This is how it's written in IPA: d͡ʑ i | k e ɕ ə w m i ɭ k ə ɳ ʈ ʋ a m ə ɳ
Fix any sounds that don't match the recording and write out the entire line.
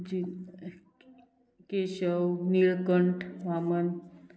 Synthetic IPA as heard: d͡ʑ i | k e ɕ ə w n i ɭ k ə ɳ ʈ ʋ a m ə n